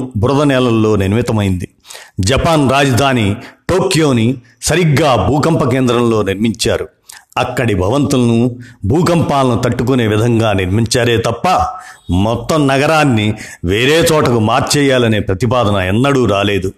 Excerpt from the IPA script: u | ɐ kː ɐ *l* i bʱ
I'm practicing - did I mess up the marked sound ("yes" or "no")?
yes